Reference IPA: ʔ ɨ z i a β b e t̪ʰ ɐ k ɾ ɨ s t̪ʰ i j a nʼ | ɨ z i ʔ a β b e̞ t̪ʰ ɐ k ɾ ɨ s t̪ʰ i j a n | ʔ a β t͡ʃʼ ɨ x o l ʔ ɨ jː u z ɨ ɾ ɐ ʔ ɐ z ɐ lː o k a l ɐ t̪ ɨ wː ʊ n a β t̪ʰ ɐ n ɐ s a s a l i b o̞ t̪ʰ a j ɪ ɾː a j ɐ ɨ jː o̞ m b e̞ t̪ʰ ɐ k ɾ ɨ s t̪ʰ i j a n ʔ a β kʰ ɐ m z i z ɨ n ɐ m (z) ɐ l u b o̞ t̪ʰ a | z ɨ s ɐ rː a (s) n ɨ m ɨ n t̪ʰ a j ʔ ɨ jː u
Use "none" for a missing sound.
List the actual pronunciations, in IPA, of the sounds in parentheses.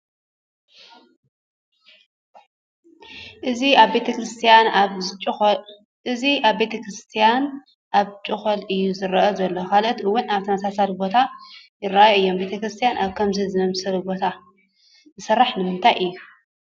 s, ħ

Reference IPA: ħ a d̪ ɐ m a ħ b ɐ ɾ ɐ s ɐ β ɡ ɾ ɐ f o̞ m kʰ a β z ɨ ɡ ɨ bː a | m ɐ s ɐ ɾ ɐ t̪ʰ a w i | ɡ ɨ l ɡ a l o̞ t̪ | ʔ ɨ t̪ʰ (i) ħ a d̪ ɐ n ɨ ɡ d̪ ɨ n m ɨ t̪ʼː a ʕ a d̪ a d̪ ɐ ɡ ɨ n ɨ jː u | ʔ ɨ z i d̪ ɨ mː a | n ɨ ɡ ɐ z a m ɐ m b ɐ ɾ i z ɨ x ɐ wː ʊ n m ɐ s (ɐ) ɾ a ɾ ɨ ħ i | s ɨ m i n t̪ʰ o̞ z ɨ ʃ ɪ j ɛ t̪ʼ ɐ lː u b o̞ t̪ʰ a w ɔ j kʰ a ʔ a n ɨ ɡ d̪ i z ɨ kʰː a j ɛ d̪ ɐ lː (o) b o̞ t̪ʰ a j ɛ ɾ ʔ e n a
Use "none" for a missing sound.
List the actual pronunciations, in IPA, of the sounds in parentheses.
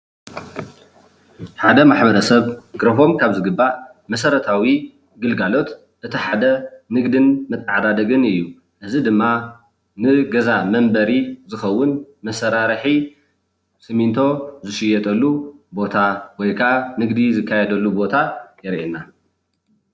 i, ɐ, u

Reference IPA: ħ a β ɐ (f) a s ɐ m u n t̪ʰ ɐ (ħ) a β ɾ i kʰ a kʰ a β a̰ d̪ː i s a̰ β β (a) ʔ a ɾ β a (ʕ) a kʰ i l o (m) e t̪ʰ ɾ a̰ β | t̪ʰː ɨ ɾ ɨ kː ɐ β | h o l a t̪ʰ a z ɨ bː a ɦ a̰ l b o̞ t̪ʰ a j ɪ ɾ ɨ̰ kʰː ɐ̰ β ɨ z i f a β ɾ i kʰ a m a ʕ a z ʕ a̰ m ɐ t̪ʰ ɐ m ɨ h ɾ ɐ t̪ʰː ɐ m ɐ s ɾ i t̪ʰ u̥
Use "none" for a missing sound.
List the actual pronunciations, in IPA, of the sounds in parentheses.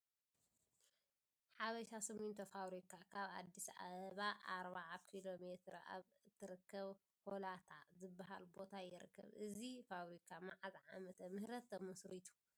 ʃ, f, a, ʕ, m

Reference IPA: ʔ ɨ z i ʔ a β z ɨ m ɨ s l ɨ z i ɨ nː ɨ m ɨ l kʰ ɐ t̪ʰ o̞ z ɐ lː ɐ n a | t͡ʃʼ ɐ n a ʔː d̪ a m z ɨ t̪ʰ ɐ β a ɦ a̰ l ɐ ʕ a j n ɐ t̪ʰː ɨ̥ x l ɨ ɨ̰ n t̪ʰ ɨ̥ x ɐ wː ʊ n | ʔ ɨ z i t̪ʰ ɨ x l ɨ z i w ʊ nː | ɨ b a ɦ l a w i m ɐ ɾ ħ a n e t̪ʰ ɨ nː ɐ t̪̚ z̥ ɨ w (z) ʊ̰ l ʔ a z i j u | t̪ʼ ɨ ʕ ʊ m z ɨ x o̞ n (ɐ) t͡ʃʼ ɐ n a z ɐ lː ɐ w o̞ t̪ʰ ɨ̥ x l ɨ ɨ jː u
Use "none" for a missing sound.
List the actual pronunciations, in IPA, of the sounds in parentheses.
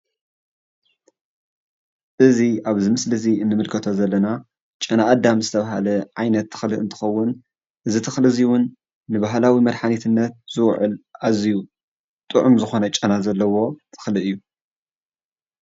ʕ, ɐ

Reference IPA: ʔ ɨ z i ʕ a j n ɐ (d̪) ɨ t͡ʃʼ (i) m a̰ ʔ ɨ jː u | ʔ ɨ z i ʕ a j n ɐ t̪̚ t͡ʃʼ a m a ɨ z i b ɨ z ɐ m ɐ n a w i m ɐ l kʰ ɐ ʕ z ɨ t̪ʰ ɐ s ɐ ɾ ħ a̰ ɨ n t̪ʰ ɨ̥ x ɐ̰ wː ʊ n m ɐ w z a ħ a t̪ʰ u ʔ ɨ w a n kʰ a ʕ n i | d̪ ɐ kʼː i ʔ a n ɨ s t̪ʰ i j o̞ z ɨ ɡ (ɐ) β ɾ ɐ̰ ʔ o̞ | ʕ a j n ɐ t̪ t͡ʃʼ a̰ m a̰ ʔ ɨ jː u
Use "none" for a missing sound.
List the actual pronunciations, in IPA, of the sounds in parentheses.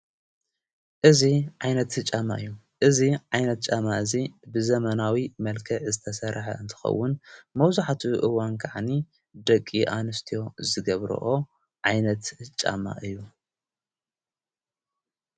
t̪, a, ɐ

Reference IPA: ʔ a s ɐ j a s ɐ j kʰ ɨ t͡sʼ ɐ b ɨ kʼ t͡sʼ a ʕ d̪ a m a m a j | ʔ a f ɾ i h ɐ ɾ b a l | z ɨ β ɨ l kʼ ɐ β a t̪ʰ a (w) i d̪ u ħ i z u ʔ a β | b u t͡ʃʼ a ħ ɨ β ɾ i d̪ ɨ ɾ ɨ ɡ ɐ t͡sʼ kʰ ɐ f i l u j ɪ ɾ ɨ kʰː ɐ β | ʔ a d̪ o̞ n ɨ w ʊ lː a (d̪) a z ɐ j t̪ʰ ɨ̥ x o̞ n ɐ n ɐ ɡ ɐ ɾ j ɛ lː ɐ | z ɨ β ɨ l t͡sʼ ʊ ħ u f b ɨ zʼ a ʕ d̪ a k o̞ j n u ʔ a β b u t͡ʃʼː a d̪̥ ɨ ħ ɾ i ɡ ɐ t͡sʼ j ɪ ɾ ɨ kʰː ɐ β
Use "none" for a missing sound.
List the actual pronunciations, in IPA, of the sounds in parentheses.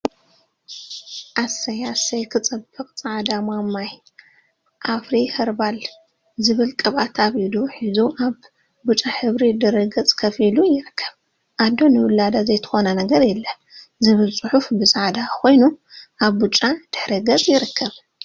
β, d̪

